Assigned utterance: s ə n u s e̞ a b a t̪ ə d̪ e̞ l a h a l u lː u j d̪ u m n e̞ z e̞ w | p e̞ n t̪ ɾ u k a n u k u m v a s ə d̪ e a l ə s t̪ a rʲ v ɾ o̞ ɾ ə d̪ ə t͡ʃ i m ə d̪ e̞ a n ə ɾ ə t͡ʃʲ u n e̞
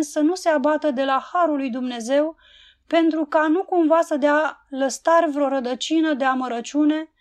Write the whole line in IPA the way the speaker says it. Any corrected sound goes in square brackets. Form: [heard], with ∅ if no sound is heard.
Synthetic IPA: s ə n u s e̞ a b a t̪ ə d̪ e̞ l a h a [ɾ] u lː u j d̪ u m n e̞ z e̞ w | p e̞ n t̪ ɾ u k a n u k u m v a s ə d̪ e a l ə s t̪ a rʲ v ɾ o̞ ɾ ə d̪ ə t͡ʃ i [n] ə d̪ e̞ a [m] ə ɾ ə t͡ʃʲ u n e̞